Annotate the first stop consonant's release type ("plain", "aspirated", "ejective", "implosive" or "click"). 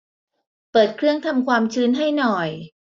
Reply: plain